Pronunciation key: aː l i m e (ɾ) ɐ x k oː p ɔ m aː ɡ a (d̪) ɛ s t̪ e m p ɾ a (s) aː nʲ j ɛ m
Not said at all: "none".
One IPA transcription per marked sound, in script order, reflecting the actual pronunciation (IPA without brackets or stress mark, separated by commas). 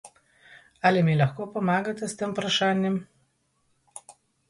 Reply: l, t̪, ʃ